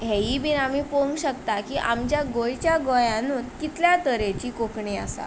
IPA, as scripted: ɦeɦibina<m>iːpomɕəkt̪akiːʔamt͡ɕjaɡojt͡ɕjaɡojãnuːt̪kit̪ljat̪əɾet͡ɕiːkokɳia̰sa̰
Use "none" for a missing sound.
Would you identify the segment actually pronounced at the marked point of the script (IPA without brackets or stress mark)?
m